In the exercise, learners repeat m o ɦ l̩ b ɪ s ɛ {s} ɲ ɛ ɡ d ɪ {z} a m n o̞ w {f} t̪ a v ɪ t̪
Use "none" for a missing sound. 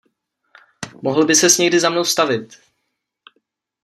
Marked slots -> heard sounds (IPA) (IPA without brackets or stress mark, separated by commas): s, z, s